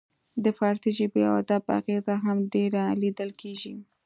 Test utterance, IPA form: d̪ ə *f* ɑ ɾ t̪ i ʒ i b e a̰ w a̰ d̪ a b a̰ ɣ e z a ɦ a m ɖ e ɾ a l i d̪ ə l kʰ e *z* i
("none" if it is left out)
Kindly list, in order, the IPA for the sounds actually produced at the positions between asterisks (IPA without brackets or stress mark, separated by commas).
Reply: f, ʒ